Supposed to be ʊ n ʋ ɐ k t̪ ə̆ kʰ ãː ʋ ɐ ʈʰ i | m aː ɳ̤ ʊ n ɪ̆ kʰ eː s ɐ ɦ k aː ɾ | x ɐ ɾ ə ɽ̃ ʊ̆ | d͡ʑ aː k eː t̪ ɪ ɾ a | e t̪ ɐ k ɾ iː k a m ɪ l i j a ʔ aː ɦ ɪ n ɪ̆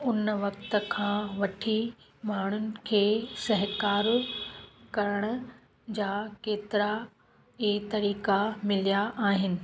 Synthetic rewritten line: ʊ n ʋ ɐ k t̪ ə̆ kʰ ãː ʋ ɐ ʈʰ i | m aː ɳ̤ ʊ n ɪ̆ kʰ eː s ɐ ɦ k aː ɾ | k ɐ ɾ ə ɽ̃ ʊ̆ | d͡ʑ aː k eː t̪ ɪ ɾ a | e t̪ ɐ ɾ iː k a m ɪ l i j a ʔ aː ɦ ɪ n ɪ̆